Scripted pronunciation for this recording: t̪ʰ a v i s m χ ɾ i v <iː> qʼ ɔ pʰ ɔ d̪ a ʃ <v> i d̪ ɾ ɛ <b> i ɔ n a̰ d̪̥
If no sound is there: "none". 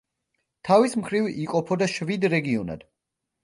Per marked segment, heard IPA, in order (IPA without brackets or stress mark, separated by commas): i, v, ɡ